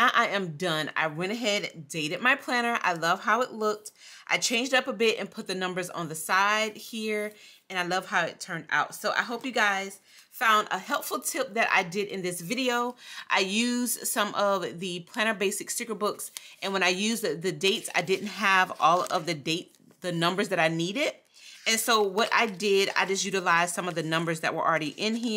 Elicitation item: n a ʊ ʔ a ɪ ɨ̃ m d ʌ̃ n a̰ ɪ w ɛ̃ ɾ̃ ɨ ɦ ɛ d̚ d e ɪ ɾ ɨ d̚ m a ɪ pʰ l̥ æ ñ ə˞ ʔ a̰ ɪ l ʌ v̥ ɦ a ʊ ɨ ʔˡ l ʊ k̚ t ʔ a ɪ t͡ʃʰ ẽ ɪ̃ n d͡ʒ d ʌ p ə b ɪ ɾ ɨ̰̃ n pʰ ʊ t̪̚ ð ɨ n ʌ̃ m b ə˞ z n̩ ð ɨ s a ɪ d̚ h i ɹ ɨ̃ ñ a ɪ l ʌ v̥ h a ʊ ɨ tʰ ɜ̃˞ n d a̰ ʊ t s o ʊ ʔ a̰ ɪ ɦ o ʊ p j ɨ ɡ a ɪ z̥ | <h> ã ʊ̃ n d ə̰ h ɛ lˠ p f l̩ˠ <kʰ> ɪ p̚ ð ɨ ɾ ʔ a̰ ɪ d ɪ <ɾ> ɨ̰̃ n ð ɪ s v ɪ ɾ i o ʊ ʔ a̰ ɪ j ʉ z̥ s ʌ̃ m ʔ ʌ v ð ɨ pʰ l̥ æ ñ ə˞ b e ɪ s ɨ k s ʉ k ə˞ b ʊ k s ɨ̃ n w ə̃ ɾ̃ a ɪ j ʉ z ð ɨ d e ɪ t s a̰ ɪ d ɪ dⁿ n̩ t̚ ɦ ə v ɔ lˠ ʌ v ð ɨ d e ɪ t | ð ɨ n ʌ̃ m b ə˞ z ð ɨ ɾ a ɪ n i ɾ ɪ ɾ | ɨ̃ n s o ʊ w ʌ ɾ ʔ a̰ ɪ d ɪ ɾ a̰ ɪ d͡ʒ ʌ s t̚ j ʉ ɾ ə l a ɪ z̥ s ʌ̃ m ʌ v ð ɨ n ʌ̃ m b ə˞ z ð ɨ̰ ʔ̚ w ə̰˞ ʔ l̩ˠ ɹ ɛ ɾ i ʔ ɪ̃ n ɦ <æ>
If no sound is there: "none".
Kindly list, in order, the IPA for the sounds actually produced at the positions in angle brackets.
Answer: f, tʰ, ɾ, i

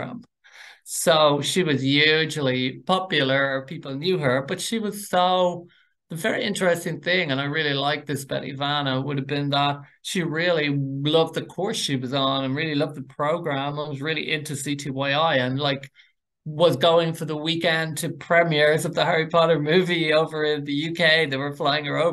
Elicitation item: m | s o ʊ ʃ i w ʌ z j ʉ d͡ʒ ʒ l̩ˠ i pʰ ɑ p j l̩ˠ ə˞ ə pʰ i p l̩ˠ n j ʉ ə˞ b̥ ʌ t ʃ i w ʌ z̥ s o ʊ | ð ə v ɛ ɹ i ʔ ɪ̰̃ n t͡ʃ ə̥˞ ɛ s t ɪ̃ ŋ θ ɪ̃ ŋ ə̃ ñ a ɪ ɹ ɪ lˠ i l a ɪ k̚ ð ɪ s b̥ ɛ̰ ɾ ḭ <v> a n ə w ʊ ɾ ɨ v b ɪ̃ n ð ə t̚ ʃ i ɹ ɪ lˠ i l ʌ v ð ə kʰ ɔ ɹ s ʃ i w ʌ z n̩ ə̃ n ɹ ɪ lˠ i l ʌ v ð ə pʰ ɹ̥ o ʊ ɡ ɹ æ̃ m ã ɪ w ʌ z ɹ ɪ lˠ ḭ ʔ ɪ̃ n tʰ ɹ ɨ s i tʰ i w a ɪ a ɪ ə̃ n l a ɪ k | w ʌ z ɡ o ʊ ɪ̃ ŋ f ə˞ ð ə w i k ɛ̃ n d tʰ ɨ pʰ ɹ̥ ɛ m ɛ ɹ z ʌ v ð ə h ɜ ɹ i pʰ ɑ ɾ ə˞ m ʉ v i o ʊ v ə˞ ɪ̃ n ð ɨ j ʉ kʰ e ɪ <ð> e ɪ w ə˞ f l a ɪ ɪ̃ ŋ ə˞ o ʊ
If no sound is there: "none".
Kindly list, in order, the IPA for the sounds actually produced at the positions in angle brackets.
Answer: v, ð

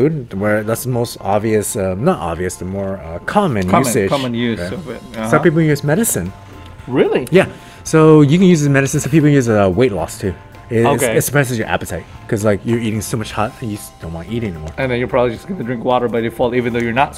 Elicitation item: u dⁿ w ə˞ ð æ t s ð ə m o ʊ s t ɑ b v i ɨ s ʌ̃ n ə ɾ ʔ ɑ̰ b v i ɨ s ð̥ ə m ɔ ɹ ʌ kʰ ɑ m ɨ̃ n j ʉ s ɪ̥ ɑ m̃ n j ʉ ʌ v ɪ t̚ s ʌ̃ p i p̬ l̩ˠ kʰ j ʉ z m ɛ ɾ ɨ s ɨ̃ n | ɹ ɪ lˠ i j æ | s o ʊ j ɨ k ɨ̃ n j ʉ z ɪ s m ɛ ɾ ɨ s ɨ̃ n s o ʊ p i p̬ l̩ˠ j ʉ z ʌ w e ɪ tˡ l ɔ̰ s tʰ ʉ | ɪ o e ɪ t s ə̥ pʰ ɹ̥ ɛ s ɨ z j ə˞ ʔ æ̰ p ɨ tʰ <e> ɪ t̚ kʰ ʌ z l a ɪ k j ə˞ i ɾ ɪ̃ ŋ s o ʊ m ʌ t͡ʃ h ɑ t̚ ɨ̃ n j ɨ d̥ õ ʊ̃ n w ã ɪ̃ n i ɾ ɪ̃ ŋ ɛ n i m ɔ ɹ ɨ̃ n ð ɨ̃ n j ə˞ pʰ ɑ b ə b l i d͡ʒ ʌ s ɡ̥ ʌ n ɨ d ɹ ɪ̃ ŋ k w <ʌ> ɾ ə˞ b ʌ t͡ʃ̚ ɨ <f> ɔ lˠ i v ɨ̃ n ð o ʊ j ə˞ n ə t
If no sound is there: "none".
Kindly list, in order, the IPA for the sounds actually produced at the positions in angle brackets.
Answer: a, ɔ, f

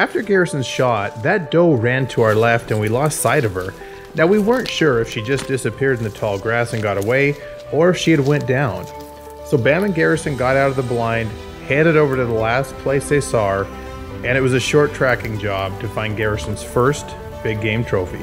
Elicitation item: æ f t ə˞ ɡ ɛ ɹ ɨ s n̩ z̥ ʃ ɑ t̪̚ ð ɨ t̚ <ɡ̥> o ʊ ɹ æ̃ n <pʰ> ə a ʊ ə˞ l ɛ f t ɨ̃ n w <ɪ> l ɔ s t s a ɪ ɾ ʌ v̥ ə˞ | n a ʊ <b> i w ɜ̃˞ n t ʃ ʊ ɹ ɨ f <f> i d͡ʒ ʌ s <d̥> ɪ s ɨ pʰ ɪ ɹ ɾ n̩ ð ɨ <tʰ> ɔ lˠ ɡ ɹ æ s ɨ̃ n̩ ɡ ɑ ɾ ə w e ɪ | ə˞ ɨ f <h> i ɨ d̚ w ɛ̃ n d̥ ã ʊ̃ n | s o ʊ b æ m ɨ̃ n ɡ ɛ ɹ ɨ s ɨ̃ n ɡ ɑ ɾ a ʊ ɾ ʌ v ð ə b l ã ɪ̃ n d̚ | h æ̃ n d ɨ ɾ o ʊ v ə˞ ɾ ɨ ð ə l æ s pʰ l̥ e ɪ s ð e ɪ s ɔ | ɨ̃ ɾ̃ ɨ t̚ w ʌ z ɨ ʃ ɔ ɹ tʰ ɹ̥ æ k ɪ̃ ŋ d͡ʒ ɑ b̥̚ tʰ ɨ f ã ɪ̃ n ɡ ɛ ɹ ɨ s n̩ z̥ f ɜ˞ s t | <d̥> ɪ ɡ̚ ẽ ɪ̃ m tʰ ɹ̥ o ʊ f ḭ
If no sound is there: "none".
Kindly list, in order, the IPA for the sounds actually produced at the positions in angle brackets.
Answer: d̥, tʰ, i, w, ʃ, d̥, tʰ, ʃ, b̥

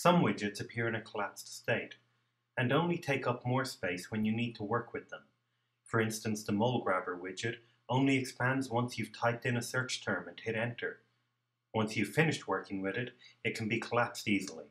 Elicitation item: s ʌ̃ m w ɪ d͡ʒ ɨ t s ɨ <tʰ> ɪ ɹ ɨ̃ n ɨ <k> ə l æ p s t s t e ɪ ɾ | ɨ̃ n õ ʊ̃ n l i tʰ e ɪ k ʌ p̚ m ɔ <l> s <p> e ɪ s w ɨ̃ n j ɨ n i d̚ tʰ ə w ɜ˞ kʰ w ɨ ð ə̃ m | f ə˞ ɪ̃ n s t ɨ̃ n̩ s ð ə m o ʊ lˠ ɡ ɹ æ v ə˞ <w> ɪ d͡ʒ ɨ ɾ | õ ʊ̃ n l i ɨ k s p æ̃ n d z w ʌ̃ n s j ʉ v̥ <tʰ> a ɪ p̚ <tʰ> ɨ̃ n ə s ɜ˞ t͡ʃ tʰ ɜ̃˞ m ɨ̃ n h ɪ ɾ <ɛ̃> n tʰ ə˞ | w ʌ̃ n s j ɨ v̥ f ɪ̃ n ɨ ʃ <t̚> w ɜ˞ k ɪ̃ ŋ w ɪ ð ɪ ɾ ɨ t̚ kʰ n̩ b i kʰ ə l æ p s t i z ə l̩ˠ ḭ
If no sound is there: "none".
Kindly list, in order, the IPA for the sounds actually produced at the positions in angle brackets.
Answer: pʰ, kʰ, ɹ, p, w, tʰ, t, ɛ̃, t̚

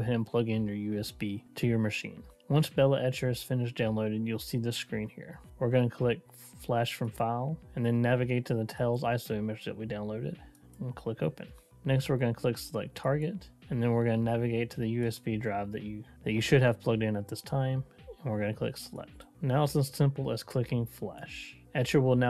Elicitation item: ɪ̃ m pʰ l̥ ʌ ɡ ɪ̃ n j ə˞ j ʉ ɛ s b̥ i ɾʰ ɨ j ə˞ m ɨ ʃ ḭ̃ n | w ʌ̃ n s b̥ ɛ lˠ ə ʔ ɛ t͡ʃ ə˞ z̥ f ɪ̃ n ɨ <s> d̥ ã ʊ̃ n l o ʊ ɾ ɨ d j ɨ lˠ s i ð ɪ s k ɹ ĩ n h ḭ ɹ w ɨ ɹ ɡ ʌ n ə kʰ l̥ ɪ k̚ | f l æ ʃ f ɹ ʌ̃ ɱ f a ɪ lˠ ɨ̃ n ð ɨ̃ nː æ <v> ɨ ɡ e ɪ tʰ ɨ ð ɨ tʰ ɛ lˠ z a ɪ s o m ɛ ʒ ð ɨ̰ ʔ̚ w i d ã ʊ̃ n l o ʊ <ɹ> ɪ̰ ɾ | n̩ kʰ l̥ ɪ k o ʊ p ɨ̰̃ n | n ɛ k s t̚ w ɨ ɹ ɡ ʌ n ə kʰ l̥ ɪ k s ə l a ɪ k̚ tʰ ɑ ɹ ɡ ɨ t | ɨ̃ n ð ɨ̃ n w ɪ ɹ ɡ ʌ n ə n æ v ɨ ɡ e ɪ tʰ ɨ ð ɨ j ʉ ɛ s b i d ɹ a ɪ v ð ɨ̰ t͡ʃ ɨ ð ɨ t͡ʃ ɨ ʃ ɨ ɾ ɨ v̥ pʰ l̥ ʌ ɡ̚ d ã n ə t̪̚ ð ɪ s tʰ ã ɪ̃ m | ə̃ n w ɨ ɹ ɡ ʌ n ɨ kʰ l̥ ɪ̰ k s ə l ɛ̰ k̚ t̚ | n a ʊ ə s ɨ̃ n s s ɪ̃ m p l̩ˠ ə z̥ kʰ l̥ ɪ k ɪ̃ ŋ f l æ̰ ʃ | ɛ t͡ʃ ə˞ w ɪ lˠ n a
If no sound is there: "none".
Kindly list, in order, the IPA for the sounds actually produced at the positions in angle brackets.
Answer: ʃ, v, ɾ

